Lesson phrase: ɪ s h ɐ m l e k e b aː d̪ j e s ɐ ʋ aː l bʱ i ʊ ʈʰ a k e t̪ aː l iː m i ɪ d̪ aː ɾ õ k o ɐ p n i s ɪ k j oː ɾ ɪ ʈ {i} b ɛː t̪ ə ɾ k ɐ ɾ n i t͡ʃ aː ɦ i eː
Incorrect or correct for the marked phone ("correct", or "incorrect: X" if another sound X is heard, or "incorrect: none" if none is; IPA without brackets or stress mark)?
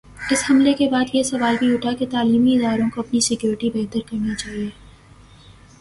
correct